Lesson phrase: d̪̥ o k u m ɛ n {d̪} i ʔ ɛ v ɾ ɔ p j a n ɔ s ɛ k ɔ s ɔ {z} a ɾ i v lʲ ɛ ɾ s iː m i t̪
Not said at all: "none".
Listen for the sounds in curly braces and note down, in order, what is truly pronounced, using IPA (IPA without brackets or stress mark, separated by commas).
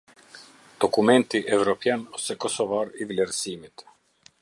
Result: t̪, v